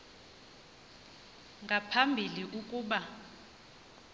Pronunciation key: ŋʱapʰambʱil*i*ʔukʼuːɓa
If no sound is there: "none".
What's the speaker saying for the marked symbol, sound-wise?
i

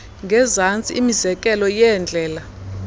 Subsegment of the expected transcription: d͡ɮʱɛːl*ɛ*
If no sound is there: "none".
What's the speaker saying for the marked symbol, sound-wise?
a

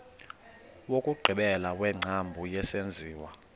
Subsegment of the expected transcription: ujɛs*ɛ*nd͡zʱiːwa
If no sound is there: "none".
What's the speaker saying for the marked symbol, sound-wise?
e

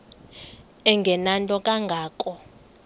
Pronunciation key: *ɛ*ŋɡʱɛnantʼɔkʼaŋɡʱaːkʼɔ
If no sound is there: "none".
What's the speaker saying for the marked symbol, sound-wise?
ɛ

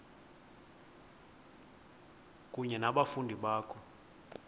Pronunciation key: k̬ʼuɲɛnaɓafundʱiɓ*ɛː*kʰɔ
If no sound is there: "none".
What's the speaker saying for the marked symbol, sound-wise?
aː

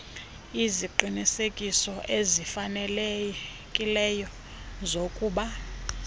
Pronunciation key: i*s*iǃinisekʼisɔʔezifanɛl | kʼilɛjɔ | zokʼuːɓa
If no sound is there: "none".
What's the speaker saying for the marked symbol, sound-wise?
z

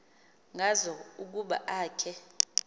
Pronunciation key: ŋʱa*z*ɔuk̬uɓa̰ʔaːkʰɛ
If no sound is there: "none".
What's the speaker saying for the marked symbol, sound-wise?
z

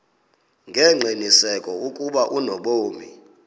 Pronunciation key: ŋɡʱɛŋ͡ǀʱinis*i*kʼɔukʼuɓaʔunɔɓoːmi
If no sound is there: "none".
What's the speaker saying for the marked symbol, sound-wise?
ɛ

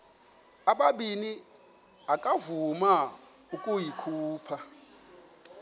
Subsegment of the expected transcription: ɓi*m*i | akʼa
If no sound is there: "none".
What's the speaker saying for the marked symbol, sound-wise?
n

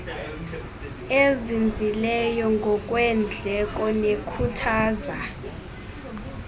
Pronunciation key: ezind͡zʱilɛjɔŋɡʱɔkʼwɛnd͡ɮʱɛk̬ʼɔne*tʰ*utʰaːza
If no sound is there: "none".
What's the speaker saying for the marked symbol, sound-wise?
kʰ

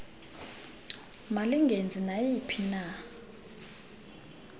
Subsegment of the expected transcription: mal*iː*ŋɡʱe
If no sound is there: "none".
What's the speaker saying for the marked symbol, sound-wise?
i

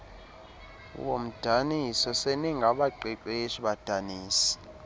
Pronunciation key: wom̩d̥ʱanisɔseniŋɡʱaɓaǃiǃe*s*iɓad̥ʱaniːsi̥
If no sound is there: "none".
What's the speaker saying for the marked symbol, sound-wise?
ʃ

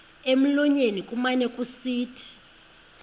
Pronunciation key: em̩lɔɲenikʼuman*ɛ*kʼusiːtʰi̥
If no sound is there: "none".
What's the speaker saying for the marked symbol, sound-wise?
ɛ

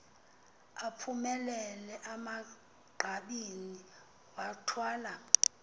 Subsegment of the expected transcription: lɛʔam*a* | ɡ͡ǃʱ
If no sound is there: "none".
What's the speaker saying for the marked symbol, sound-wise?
a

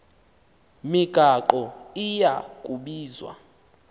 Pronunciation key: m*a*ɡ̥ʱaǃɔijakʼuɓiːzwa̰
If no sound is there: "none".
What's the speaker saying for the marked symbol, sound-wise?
i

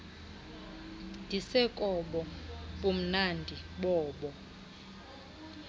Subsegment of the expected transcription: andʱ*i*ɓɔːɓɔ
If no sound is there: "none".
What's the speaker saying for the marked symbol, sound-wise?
i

